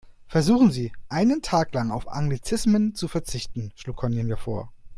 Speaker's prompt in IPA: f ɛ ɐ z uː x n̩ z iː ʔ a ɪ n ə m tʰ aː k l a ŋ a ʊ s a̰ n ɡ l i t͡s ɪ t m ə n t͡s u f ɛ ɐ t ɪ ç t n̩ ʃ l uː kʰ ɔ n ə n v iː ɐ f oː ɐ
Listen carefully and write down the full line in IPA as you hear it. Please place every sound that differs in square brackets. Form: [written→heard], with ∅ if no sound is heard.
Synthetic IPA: f ɛ ɐ z uː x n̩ z iː ʔ a ɪ n ə [m→n] tʰ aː k l a ŋ a ʊ [s→f] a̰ [n→ŋ] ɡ l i t͡s ɪ [t→s] m ə n t͡s u f ɛ ɐ [t→t͡s] ɪ ç t n̩ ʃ l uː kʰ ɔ n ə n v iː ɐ f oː ɐ

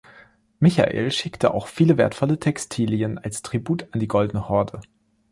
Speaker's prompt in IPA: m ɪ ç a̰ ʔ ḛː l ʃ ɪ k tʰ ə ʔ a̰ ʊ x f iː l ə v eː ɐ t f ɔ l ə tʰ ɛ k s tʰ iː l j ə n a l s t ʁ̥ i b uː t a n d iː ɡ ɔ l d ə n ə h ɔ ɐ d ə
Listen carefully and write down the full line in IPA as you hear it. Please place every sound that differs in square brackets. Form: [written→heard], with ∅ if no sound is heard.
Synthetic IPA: m ɪ ç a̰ ʔ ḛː l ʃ ɪ k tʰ ə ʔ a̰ ʊ x f iː l ə v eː ɐ t f ɔ l ə tʰ ɛ k s tʰ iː l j ə n a l s t ʁ̥ i b uː t a n d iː ɡ ɔ l d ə n ə h ɔ ɐ d ə

